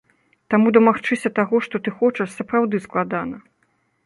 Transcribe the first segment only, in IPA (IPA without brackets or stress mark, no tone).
t̪